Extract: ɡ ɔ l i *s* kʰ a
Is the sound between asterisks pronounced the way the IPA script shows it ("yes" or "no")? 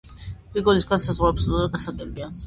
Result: yes